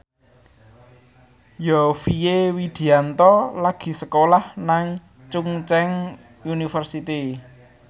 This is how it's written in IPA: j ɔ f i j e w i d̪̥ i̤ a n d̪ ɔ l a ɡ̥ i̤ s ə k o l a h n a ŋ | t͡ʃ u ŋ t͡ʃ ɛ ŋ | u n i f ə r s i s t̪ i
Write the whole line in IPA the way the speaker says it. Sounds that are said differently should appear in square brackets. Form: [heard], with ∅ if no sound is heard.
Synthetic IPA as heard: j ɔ f i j e w i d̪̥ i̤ a n [t̪] ɔ l a ɡ̥ i̤ s ə k o l a h n a ŋ | t͡ʃ u ŋ t͡ʃ ɛ ŋ | u n i f ə r s i [∅] t̪ i